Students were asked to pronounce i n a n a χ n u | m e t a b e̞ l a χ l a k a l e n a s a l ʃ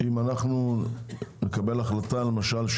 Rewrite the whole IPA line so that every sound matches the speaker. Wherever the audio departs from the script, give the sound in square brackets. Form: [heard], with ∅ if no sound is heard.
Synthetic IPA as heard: i [m] a n a χ n u | [n] e [k] a b e̞ l a χ l a [t] a l e [m] a [ʃ] a l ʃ